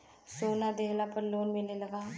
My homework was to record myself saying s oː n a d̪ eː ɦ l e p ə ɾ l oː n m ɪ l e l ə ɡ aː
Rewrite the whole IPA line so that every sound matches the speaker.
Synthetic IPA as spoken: s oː n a d̪ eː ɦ l a p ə ɾ l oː n m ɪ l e l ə ɡ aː